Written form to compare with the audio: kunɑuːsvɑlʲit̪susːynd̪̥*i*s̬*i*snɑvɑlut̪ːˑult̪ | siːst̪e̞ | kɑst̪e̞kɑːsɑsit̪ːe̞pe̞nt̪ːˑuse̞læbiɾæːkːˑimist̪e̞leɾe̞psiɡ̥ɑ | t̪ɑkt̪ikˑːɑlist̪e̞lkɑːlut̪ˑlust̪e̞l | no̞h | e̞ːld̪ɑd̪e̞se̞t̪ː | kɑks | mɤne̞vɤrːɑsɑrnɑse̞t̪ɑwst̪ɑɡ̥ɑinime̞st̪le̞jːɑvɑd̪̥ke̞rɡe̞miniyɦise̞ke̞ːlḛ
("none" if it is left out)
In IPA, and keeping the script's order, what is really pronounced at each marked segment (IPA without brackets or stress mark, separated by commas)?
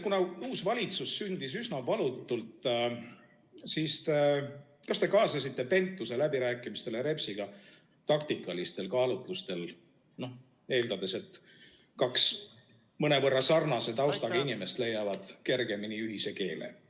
i, y